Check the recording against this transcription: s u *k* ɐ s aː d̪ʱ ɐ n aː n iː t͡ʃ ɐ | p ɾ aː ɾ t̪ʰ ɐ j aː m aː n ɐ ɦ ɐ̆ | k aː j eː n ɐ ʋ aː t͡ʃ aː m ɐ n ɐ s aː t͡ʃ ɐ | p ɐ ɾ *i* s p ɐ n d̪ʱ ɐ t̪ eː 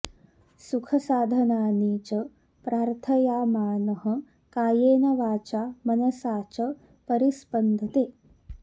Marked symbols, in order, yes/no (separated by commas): no, yes